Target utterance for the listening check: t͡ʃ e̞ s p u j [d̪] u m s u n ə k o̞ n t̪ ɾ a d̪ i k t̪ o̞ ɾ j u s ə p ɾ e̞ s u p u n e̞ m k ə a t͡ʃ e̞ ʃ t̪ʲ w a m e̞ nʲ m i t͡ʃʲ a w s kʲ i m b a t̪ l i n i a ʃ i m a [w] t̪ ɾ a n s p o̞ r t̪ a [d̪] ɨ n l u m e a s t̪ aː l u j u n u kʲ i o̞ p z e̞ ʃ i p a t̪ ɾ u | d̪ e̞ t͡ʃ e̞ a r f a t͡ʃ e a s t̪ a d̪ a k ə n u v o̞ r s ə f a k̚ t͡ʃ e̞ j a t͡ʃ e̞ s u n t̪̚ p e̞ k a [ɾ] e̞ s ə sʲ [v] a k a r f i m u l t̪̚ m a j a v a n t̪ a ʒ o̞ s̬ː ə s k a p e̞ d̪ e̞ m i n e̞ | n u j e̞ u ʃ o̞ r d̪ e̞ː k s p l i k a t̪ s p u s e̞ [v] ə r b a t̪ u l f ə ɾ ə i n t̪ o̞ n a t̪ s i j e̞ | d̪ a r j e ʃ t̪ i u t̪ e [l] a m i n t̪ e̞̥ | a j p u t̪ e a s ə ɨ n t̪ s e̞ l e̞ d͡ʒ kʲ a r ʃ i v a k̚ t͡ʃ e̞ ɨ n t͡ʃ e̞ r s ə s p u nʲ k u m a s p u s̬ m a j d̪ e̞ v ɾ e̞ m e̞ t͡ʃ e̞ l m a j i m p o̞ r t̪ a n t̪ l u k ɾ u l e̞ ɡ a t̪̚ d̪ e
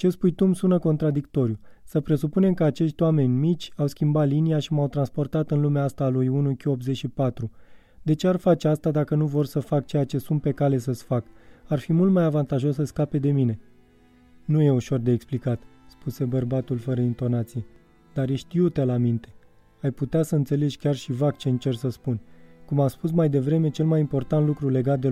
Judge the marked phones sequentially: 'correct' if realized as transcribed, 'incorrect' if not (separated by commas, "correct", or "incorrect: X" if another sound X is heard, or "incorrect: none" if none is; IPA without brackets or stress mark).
incorrect: t̪, correct, incorrect: t̪, incorrect: l, incorrect: f, incorrect: b, correct